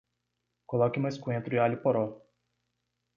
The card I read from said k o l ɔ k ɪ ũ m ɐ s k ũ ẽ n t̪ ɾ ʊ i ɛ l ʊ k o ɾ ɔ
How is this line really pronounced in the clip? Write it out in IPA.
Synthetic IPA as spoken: k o l ɔ k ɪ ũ m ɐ s k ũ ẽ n t̪ ɾ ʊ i a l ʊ p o ɾ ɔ